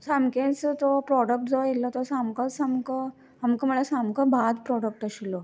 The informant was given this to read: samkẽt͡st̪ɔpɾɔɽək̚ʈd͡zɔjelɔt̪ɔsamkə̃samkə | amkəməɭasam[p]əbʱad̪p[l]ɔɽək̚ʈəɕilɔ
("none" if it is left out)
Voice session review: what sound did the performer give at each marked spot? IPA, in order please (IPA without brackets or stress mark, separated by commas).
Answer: k, ɾ